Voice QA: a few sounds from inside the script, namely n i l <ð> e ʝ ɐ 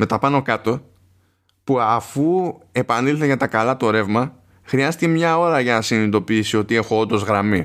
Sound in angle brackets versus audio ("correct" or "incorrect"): incorrect